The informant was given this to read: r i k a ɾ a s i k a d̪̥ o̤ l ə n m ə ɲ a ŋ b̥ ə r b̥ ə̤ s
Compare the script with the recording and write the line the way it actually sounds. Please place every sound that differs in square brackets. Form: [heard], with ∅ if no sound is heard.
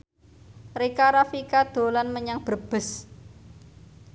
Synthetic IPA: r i k a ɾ a [f] i k a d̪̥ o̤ l [a] n m ə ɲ a ŋ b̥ ə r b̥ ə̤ s